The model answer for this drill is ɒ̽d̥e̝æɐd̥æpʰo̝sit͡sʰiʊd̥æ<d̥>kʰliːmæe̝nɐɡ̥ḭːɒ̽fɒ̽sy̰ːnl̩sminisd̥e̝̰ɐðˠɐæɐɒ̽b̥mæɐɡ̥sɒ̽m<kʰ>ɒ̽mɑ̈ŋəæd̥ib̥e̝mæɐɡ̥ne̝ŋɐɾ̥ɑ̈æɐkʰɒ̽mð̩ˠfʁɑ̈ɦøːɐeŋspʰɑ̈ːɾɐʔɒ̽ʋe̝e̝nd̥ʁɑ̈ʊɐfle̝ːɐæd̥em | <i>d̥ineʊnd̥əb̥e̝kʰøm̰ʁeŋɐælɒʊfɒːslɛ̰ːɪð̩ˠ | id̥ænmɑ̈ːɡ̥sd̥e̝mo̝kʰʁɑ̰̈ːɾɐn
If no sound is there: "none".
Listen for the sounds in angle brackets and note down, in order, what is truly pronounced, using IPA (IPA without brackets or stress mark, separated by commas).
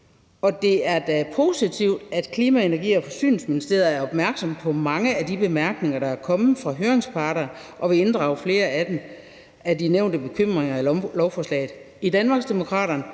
d̥, pʰ, æ